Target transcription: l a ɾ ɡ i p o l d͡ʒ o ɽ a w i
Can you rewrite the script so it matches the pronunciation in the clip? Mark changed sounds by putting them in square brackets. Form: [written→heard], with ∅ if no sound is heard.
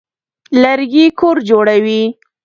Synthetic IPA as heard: l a ɾ ɡ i [p→k] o [l→ɾ] d͡ʒ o ɽ a w i